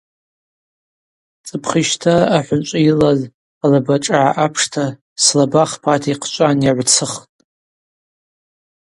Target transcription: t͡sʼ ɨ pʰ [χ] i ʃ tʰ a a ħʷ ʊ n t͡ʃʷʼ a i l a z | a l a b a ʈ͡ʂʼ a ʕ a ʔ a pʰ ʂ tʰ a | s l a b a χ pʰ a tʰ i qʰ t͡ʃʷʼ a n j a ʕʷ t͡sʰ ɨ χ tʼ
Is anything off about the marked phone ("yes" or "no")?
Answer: no